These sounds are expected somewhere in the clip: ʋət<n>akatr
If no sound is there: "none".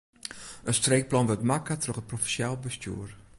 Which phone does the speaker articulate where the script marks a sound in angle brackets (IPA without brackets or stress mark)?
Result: m